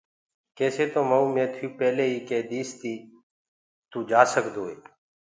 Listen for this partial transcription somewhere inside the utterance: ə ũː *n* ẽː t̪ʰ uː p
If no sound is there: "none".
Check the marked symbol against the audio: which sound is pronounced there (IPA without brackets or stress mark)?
m